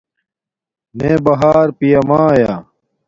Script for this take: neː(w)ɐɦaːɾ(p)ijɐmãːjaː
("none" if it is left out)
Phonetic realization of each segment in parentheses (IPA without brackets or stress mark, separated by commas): b, p